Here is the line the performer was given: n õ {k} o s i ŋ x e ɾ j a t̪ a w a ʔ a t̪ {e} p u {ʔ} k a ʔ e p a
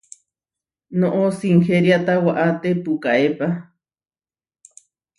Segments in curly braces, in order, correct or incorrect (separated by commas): incorrect, correct, incorrect